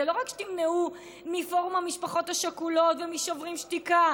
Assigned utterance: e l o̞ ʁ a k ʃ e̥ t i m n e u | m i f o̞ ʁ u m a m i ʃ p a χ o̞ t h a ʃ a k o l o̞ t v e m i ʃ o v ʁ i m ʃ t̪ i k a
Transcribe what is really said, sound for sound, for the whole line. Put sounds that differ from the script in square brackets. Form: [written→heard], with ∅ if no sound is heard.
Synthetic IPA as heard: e l o̞ ʁ a k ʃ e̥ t i m n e u | m i f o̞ ʁ u m a m i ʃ p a χ o̞ t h a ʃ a k [o→u] l o̞ t v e m i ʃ o v ʁ i m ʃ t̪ i k a